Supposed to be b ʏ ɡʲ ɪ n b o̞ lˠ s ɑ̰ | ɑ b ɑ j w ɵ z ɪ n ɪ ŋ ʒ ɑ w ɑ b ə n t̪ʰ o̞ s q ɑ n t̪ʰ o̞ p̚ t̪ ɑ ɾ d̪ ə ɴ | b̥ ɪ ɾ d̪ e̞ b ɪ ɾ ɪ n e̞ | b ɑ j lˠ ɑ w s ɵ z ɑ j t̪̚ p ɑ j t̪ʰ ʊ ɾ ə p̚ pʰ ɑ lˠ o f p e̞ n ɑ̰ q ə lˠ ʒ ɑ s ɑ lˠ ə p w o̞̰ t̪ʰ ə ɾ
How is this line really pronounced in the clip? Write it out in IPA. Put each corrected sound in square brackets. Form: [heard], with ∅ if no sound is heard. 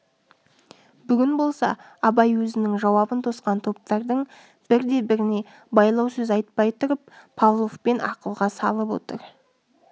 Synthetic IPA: b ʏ ɡʲ ɪ n b o̞ lˠ s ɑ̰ | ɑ b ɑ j w ɵ z ɪ n ɪ ŋ ʒ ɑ w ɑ b ə n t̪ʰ o̞ s q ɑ n t̪ʰ o̞ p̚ t̪ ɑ ɾ d̪ ə ɴ | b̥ ɪ ɾ d̪ e̞ b ɪ ɾ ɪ n e̞ | b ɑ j lˠ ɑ w s ɵ z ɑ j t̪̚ p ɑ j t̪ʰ ʊ ɾ ə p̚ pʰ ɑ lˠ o f p e̞ n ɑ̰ q ə lˠ [ʁ] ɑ s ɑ lˠ ə p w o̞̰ [t̪] ə ɾ